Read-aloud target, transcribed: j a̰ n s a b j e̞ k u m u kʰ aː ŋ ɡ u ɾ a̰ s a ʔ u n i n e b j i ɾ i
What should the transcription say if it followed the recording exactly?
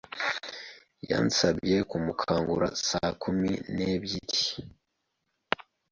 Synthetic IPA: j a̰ n s a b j e̞ k u m u kʰ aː ŋ ɡ u ɾ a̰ s a k u m i n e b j i ɾ i